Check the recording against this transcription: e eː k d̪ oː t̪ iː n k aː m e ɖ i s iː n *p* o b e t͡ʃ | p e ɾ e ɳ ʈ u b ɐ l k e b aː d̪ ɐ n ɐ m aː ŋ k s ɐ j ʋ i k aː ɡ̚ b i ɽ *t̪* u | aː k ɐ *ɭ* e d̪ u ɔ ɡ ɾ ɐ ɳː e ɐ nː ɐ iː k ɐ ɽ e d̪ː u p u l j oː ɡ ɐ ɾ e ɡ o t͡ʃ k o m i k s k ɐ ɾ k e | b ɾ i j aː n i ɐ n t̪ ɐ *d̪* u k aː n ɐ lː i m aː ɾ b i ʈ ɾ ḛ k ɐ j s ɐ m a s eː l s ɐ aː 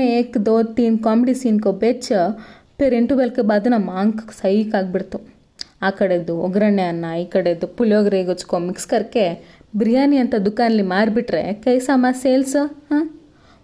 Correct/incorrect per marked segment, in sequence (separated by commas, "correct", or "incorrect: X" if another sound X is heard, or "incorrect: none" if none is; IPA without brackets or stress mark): incorrect: k, correct, incorrect: ɽ, correct